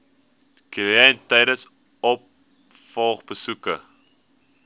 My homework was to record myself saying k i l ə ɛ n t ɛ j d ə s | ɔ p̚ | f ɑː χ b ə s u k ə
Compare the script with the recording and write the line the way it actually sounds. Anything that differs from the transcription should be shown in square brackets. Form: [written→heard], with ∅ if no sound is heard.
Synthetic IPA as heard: k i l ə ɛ n t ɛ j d ə s | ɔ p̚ | f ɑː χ b ə s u k ə